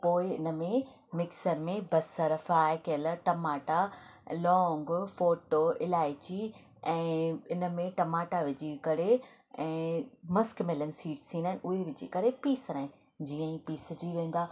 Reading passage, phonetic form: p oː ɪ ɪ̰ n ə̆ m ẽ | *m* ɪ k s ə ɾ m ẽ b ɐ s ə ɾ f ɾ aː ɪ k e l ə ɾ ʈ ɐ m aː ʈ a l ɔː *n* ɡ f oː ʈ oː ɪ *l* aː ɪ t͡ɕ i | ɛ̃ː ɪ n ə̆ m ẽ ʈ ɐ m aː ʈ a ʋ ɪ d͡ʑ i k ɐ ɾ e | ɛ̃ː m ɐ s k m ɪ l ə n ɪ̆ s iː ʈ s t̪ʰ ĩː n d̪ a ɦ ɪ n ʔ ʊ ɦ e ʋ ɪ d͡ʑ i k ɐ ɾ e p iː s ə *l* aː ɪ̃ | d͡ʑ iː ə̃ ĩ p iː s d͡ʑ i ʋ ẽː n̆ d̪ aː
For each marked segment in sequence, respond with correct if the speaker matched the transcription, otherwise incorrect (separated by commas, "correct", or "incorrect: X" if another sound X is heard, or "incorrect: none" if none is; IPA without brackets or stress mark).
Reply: correct, incorrect: ŋ, correct, incorrect: ɾ